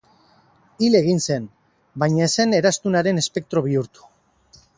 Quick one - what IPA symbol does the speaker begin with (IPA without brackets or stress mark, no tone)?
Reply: i